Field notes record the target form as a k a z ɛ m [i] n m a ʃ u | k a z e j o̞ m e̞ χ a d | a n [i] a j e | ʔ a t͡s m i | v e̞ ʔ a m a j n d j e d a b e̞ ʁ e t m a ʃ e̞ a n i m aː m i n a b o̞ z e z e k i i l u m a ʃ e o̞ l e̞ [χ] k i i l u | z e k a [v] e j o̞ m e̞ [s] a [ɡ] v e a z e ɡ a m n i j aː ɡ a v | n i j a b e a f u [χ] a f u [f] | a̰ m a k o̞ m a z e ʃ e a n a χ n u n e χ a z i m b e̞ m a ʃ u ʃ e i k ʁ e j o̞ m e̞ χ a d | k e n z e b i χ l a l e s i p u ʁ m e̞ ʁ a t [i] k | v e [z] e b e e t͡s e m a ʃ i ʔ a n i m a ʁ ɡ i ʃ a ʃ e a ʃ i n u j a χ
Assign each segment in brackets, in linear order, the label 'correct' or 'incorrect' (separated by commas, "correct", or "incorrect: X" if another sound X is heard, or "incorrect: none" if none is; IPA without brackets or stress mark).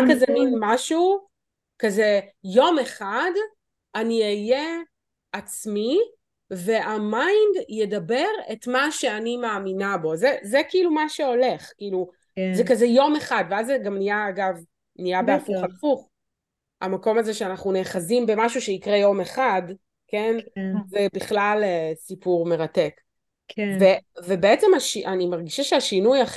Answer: correct, correct, correct, incorrect: z, incorrect: χ, incorrect: d, correct, incorrect: χ, incorrect: e, incorrect: v